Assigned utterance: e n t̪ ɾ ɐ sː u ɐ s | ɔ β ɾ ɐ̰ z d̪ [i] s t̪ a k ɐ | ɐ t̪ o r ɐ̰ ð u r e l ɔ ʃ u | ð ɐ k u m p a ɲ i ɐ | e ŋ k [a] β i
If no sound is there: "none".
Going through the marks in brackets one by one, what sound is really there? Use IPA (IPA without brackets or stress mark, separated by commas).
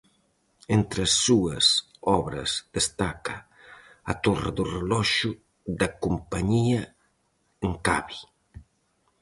e, a